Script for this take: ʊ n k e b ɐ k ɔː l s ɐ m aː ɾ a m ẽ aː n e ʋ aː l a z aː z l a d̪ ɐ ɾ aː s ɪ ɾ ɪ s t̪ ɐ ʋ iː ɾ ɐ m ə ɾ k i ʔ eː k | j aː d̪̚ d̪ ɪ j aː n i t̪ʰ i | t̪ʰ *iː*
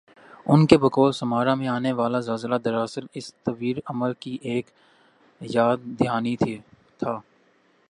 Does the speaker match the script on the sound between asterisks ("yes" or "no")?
no